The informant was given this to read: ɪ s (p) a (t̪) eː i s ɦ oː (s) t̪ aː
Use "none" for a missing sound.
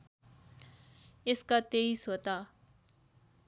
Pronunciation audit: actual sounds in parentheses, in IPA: k, t̪, none

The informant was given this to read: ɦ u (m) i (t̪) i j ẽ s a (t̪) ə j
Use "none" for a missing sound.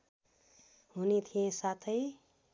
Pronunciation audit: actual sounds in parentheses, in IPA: n, t̪ʰ, t̪ʰ

